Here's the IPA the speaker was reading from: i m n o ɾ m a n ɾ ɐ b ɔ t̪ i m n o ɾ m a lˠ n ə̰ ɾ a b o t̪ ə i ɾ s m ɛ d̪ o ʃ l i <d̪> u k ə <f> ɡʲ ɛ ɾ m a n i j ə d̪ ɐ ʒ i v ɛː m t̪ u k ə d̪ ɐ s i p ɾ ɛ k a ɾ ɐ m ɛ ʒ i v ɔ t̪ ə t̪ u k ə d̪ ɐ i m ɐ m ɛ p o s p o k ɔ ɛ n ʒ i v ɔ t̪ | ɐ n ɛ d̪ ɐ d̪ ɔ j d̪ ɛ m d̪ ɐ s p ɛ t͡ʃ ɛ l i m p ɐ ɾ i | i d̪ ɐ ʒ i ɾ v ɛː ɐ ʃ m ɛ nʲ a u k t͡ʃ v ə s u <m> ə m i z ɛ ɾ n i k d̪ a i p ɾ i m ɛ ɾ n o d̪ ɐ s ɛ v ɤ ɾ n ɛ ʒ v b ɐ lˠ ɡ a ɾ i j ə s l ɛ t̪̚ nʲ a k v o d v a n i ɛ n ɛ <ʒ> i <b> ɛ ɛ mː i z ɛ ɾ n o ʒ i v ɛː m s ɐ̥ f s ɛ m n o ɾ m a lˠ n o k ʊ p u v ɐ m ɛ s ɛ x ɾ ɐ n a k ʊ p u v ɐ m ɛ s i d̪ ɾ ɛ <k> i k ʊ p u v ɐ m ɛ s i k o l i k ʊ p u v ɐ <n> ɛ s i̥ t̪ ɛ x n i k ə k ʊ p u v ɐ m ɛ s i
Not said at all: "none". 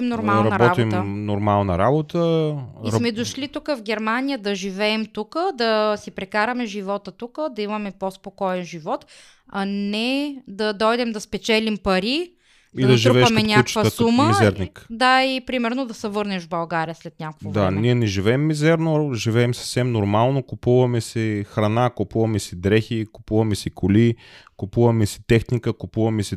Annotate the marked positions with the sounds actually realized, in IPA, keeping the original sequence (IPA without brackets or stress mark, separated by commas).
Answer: t̪, v, m, ʒ, v, x, m